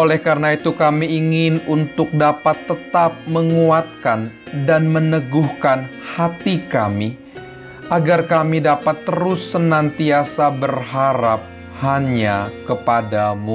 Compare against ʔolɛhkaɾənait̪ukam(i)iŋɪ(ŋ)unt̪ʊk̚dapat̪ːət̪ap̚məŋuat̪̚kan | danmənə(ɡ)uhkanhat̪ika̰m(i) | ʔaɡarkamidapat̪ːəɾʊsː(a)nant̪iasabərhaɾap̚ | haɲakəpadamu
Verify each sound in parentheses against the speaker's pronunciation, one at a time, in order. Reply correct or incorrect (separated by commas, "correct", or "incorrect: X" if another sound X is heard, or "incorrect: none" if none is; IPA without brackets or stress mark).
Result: correct, incorrect: n, correct, correct, incorrect: ə